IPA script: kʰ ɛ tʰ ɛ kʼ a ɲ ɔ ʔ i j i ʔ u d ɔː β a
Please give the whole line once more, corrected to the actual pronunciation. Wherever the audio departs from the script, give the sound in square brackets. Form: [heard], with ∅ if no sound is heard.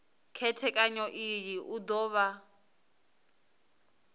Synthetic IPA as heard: kʰ ɛ tʰ ɛ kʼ a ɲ ɔ ʔ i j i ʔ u d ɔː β a